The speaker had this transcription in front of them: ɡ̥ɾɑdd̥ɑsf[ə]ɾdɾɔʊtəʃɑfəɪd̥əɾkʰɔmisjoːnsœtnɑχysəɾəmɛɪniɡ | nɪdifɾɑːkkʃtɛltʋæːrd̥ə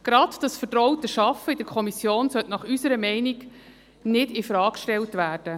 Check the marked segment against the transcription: correct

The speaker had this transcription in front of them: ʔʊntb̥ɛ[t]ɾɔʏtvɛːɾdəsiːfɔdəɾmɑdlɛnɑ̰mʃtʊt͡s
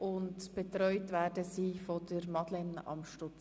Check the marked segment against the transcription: correct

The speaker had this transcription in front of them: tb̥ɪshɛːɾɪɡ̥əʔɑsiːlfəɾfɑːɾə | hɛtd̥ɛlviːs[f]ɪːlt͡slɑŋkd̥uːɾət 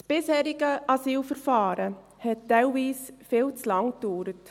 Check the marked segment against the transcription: correct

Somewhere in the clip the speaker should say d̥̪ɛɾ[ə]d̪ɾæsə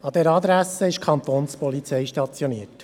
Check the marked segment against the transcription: incorrect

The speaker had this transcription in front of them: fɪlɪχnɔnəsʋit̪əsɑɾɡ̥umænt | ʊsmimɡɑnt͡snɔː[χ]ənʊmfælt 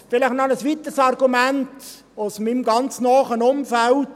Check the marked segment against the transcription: correct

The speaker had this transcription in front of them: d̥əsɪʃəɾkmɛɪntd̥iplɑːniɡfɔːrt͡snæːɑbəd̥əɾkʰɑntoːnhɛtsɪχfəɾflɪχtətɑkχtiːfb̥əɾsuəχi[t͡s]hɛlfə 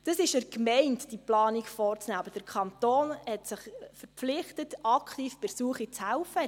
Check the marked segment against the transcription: correct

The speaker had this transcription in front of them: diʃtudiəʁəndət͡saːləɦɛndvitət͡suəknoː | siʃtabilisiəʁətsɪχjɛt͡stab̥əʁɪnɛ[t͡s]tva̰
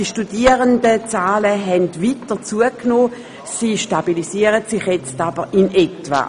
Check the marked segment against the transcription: incorrect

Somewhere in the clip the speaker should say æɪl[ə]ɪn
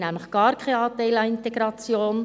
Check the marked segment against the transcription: incorrect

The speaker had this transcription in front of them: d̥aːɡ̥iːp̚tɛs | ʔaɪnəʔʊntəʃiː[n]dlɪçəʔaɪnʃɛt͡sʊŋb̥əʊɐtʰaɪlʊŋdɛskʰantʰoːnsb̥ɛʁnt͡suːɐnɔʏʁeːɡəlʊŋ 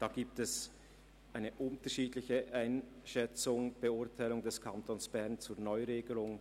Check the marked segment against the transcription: incorrect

